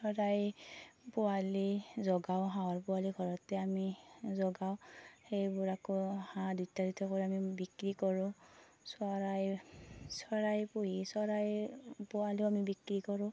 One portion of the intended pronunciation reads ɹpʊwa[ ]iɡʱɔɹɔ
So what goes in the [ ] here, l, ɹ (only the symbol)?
l